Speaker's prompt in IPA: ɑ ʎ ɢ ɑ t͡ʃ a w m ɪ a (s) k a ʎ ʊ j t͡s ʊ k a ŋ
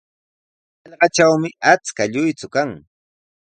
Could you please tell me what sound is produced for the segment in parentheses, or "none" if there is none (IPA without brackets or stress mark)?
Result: t͡s